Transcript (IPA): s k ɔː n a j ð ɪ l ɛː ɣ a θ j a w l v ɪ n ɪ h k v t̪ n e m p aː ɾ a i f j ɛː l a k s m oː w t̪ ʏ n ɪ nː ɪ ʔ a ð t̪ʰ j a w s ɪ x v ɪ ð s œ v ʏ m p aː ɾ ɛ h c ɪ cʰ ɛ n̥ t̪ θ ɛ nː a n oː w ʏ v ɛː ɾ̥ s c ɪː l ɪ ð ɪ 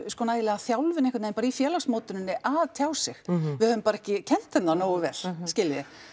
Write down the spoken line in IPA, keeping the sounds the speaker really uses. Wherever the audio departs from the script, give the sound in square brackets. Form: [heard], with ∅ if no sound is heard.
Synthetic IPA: s k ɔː n a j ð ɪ l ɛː ɣ a θ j a w l v ɪ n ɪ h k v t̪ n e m p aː ɾ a i f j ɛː l a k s m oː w t̪ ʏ n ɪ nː ɪ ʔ a ð t̪ʰ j a w s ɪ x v ɪ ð [h] œ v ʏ m p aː ɾ ɛ h c ɪ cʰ ɛ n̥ t̪ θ ɛ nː a n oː w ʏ v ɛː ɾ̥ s c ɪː l ɪ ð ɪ